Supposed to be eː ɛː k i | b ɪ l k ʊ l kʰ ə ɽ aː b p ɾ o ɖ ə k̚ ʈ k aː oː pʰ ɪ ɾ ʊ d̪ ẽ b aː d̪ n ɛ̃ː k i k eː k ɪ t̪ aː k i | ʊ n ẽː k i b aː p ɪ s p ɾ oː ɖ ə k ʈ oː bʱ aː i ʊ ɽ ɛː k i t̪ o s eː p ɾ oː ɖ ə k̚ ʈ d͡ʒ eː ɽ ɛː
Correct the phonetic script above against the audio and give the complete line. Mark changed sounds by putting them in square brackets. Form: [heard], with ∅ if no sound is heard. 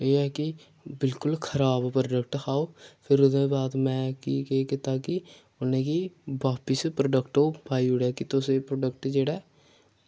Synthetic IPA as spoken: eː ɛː k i | b ɪ l k ʊ l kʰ ə [ɾ] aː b p ɾ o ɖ ə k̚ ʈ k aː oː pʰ ɪ ɾ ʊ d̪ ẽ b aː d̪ [m] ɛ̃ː k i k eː k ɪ t̪ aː k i | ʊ n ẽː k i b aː p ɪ s p ɾ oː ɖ ə k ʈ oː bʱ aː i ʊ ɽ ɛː k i t̪ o s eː p ɾ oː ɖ ə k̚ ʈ d͡ʒ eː ɽ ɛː